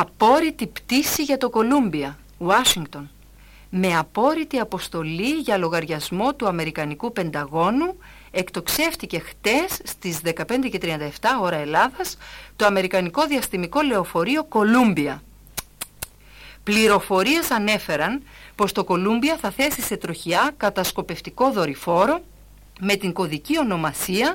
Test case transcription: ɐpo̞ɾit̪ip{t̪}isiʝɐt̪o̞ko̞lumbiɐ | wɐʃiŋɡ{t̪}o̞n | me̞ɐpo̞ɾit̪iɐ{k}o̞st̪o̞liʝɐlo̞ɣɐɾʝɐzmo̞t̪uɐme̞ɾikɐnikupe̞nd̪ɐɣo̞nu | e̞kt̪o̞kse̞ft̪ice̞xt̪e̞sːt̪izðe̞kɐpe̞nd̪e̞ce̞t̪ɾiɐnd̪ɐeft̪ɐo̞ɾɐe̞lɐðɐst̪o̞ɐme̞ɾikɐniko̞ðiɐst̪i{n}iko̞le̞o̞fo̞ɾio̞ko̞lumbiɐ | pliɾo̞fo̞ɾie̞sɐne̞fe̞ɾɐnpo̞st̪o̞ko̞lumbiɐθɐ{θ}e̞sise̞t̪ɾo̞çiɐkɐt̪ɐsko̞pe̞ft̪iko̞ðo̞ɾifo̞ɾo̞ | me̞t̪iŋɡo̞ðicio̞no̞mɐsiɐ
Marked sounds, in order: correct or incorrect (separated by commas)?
correct, correct, incorrect, incorrect, correct